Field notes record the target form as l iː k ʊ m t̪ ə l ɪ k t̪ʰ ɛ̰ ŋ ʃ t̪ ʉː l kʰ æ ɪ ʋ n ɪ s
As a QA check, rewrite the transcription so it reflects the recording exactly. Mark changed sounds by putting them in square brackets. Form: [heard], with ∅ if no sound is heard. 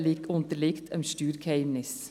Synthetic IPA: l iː k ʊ [n] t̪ ə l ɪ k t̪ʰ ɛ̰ [m] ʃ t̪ ʉː [ɾ] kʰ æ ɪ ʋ n ɪ s